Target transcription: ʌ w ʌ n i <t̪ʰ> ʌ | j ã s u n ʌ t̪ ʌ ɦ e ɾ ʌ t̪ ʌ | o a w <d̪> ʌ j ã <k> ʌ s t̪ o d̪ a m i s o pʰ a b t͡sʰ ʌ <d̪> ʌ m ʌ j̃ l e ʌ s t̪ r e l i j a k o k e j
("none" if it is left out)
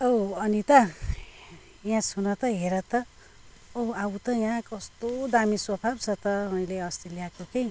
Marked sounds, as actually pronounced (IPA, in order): t̪, t̪, k, t̪

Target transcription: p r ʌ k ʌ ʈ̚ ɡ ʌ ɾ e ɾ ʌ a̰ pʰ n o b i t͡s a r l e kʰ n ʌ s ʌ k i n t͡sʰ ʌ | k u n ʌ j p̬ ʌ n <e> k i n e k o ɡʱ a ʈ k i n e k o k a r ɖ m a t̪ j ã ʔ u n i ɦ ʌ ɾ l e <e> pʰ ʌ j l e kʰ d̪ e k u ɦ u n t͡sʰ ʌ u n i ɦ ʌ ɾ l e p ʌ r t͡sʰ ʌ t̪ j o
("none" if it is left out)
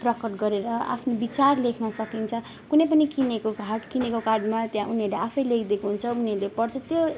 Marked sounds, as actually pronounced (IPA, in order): i, a

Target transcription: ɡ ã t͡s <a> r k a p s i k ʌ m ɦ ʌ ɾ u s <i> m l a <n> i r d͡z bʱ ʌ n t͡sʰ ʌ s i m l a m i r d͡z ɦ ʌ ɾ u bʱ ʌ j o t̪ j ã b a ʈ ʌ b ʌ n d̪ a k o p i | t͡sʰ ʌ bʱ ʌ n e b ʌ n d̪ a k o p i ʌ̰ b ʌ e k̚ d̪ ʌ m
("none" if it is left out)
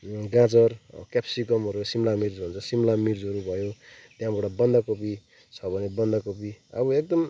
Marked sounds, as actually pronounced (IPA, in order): ʌ, i, m

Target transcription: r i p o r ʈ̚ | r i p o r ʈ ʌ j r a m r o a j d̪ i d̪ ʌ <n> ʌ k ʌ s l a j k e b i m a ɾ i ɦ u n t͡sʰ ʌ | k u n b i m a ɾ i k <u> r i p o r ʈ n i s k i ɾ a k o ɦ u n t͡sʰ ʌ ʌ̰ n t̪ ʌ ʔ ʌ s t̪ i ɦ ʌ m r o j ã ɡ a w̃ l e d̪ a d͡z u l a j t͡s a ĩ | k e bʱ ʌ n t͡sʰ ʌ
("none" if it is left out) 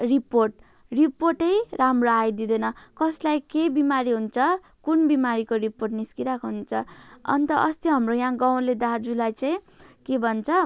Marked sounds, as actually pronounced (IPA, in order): n, o

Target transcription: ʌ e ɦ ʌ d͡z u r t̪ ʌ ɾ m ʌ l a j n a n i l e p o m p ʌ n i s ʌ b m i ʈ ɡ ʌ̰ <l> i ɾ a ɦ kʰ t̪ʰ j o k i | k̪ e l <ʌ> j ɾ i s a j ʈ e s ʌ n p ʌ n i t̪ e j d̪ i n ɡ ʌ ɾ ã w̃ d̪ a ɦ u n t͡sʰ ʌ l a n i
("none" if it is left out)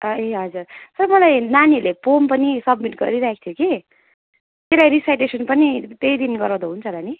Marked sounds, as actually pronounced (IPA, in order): ɾ, a

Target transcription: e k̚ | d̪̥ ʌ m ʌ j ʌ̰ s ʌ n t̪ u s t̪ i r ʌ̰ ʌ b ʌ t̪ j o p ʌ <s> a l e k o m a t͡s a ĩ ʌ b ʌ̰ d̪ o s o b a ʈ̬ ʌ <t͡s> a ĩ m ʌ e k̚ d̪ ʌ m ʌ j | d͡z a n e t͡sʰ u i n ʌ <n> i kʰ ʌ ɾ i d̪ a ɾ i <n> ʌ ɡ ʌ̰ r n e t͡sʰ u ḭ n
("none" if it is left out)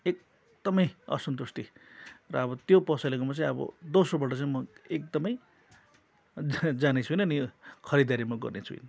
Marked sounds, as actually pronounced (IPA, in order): s, t͡s, n, m

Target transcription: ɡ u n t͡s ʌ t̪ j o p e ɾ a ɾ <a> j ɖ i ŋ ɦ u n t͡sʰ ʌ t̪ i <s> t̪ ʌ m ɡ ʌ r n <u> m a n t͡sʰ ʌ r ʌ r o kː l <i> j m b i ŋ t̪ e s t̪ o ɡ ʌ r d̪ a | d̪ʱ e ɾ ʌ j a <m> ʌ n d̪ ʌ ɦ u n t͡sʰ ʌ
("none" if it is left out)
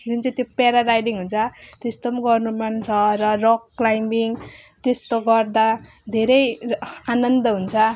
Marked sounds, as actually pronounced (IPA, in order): a, s, u, a, n

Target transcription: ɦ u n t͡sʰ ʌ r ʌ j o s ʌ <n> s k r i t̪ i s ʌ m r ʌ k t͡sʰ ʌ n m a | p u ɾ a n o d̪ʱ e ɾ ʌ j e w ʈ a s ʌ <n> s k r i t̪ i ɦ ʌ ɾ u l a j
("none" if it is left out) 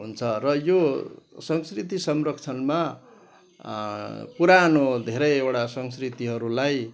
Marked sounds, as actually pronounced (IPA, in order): ŋ, ŋ

